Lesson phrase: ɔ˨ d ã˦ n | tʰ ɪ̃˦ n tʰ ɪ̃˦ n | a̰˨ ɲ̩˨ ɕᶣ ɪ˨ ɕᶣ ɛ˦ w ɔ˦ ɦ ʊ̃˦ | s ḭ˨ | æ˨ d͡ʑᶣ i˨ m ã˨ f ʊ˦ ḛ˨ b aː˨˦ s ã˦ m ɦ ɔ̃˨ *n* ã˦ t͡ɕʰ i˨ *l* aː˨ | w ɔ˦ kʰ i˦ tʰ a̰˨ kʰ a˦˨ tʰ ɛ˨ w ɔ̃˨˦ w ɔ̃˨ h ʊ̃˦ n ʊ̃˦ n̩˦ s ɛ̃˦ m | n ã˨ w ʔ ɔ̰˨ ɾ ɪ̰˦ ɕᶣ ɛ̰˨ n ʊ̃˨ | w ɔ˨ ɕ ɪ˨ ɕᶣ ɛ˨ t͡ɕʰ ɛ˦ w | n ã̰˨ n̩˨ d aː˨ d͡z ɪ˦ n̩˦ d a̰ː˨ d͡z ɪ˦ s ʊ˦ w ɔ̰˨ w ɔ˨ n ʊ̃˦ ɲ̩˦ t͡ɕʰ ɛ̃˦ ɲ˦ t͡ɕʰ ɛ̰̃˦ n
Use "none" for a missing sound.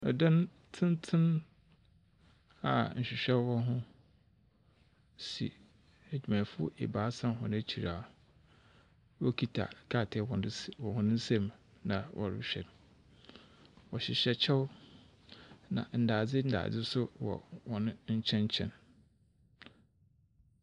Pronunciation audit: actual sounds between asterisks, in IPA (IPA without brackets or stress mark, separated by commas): n, ɾ